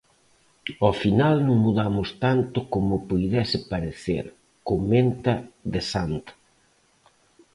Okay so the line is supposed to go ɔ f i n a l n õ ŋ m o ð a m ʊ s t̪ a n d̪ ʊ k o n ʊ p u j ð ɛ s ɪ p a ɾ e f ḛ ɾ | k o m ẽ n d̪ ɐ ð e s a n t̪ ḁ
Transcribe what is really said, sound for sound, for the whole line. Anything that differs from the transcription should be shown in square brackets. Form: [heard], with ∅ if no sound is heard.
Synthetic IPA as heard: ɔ f i n a l n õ ŋ m [u] ð a m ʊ s t̪ a n [t̪] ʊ k o [m] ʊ p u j ð ɛ s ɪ p a ɾ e [θ] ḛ ɾ | k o m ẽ n [t̪] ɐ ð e s a n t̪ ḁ